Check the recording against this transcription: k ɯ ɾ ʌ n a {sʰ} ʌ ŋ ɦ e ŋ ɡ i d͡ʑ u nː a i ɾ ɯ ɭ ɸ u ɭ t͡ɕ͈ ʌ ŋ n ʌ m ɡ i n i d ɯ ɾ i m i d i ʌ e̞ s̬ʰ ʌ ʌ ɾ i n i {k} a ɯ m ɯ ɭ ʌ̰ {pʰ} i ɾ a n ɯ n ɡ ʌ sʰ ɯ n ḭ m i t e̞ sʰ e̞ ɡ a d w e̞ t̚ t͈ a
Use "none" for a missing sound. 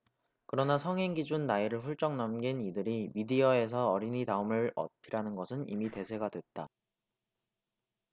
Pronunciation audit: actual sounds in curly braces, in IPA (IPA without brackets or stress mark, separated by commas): sʰ, t, pʰ